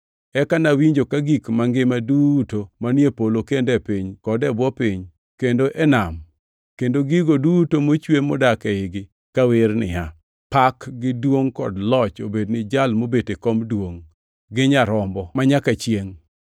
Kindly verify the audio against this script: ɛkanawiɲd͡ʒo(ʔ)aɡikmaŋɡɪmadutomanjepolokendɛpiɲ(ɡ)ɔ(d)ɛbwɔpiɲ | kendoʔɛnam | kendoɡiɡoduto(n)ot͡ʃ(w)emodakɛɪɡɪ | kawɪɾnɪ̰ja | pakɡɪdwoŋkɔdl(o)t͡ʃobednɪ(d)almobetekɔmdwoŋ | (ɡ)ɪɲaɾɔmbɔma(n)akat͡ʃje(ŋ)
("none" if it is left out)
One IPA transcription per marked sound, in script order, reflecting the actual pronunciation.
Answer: k, k, d, m, w, ɔ, d͡ʒ, ɡ, ɲ, ŋ

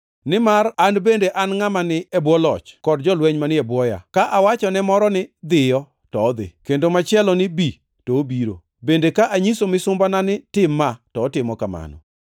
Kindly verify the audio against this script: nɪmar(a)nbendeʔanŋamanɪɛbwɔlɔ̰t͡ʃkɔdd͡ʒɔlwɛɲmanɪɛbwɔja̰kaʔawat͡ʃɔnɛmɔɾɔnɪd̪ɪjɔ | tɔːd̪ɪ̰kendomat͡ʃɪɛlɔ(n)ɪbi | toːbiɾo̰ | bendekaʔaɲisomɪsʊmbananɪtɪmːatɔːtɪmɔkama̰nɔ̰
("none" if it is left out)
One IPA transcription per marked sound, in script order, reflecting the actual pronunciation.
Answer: a, n

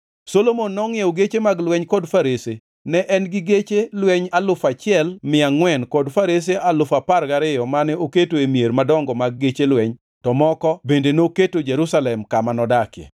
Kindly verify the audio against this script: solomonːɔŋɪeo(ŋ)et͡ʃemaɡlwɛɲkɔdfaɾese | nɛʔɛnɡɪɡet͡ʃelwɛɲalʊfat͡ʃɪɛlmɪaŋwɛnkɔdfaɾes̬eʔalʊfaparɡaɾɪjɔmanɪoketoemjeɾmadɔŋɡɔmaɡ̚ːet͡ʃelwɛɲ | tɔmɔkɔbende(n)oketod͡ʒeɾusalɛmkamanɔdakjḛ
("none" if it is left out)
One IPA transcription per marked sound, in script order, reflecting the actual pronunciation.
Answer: ɡ, n

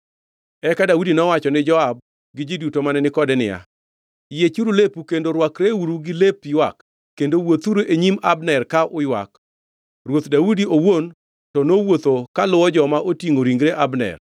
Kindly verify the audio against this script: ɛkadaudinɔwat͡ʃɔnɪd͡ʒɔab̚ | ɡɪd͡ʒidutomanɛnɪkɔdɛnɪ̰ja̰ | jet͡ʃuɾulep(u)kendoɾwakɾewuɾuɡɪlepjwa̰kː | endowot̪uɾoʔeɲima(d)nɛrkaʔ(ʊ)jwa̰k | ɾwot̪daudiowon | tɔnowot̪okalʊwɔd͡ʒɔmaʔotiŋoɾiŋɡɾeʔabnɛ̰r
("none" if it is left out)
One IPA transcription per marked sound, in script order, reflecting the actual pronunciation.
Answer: u, b, ʊ

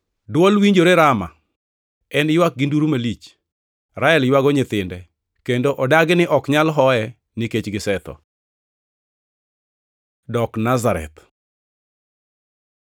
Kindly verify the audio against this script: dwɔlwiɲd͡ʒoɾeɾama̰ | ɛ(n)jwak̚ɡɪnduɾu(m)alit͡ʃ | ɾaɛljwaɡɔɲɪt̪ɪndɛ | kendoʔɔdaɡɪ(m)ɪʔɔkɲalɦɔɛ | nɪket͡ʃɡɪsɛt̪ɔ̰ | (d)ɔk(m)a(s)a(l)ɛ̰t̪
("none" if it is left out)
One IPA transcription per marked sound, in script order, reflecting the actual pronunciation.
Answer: n, m, n, d, n, z, ɾ

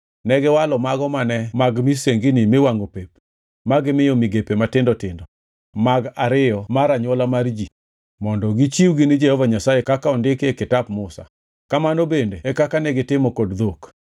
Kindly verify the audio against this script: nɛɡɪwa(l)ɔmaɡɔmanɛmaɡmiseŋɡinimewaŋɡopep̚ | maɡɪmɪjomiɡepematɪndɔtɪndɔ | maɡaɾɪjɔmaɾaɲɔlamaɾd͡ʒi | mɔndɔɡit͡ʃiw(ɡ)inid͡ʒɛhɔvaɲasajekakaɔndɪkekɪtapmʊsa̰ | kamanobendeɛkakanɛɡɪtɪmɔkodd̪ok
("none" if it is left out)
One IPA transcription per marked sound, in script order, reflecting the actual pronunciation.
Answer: l, ɡ

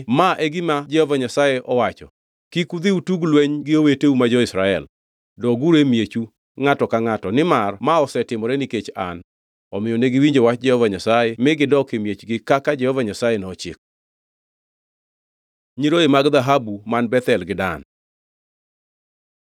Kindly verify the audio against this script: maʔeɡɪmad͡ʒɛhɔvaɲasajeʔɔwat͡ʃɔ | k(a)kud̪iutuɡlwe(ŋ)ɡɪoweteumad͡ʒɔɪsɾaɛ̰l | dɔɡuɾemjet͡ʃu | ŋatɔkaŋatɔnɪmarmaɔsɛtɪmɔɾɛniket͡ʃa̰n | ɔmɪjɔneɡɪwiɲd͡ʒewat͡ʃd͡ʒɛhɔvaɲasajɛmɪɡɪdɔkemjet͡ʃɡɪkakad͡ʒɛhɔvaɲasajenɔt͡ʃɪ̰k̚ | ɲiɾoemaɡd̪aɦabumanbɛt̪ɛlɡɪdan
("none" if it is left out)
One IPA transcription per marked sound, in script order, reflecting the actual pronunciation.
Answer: i, ɲ

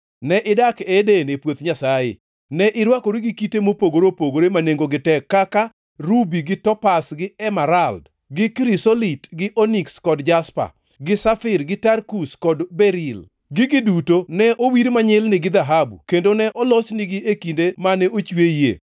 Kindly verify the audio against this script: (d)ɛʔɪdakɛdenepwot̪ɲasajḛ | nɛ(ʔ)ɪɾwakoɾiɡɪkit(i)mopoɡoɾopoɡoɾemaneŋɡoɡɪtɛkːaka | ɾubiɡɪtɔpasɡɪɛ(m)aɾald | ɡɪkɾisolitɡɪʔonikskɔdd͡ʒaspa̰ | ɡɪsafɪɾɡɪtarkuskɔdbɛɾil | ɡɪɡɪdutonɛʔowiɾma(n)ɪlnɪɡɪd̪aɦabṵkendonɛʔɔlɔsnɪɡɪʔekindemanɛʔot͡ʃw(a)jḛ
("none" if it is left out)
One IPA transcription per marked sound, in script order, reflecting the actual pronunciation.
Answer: n, ʔ, e, m, ɲ, e

